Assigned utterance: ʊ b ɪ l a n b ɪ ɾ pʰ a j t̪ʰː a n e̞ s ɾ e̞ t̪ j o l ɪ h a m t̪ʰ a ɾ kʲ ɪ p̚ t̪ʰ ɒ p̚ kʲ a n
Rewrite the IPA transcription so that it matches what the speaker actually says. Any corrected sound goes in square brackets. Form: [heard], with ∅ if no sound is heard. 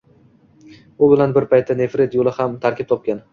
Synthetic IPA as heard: ʊ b ɪ l a n b ɪ ɾ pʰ a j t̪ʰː a n e̞ [f] ɾ e̞ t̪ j o l ɪ h a m t̪ʰ a ɾ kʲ ɪ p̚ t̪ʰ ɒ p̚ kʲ a n